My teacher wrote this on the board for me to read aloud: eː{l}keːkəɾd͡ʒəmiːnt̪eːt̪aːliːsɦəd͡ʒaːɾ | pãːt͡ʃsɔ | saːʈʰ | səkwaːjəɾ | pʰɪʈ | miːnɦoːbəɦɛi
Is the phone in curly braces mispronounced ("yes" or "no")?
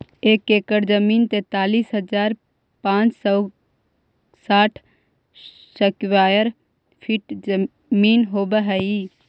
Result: yes